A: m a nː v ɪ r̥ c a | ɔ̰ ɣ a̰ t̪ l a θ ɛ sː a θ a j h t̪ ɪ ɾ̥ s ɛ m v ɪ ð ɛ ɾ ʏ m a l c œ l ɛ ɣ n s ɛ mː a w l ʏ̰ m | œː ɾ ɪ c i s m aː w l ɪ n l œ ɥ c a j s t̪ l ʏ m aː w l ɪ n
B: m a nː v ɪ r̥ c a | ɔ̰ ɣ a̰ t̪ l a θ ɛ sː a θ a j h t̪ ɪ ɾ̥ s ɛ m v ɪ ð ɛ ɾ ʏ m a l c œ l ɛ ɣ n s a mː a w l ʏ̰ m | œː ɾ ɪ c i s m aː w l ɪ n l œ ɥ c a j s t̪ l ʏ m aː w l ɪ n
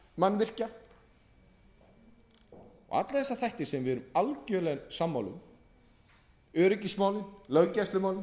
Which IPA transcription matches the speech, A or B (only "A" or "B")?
B